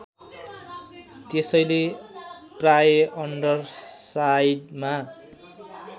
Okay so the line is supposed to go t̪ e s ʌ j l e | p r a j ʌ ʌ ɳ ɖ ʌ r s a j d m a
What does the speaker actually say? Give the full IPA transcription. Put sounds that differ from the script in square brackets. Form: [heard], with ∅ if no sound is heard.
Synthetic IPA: t̪ e s ʌ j l e | p r a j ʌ ʌ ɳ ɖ ʌ r s a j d m a